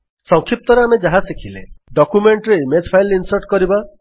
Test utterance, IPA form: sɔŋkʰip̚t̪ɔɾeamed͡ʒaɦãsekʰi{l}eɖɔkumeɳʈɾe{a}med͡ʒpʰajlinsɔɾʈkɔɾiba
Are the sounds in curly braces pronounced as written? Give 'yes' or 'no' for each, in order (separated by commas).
yes, no